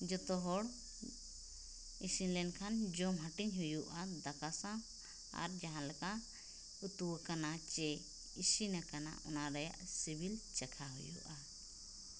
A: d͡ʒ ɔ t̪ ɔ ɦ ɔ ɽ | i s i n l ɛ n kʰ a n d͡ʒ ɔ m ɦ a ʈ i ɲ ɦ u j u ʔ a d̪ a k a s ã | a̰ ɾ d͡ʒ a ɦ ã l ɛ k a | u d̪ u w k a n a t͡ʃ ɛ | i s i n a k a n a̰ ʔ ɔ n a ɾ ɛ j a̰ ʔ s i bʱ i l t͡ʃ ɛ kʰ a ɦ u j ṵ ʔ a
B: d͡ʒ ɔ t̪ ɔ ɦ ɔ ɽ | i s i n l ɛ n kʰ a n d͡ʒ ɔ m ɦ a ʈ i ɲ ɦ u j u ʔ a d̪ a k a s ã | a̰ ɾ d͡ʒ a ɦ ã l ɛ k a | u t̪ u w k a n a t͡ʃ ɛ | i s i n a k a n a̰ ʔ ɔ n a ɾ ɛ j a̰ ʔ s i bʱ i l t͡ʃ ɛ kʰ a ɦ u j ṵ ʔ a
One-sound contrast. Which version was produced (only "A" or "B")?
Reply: B